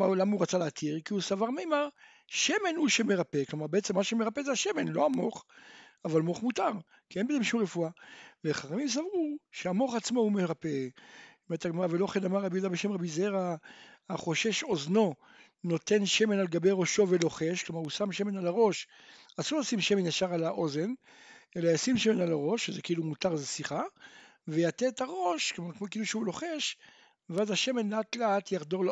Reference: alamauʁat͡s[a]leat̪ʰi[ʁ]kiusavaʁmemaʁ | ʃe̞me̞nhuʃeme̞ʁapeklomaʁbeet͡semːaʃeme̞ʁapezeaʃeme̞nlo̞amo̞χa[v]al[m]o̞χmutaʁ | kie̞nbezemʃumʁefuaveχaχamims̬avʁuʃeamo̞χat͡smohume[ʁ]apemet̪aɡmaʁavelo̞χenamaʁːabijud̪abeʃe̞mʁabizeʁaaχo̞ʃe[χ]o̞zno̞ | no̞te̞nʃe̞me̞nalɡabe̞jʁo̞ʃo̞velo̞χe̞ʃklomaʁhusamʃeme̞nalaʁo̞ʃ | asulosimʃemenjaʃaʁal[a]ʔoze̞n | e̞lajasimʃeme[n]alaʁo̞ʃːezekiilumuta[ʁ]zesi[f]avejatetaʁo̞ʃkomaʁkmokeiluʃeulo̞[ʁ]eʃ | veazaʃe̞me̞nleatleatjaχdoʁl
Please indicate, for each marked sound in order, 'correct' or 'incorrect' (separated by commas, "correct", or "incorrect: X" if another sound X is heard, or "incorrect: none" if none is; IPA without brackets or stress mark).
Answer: correct, correct, correct, correct, correct, incorrect: ʃ, correct, correct, correct, incorrect: χ, incorrect: χ